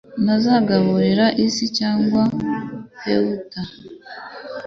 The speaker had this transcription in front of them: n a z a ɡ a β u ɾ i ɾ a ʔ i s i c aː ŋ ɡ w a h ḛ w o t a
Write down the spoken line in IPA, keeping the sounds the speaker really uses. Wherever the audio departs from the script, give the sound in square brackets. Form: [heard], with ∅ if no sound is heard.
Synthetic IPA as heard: n a z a ɡ a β u ɾ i ɾ a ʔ i s i c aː ŋ ɡ w a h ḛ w [u] t a